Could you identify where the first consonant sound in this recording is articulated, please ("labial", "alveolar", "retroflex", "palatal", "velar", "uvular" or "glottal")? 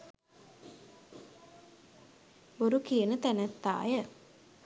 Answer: alveolar